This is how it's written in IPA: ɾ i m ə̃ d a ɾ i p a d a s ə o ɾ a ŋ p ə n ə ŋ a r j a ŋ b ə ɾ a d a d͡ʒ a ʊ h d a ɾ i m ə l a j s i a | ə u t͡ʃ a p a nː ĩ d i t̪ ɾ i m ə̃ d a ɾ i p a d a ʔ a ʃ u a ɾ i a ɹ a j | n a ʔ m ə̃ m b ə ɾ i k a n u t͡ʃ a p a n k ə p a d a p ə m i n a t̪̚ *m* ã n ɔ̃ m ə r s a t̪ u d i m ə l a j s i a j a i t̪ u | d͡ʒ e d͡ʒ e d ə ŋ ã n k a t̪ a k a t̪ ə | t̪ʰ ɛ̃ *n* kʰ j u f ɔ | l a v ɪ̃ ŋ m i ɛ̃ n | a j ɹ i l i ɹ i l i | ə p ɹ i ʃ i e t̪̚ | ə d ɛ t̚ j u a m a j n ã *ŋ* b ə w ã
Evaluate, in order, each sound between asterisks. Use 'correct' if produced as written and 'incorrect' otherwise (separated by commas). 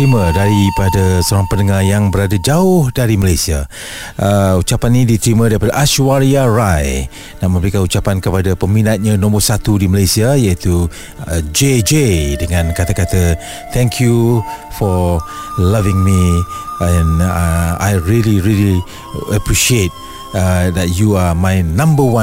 incorrect, incorrect, incorrect